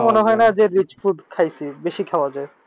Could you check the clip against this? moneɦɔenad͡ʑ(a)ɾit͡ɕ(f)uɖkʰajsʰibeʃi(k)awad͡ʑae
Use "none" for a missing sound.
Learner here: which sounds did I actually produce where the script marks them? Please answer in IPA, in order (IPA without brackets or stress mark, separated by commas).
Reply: e, f, kʰ